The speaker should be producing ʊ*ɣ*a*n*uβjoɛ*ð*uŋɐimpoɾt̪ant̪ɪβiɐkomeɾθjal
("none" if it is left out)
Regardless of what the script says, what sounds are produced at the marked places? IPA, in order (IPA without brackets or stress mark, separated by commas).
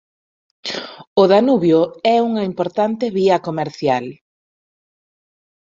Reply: ð, n, none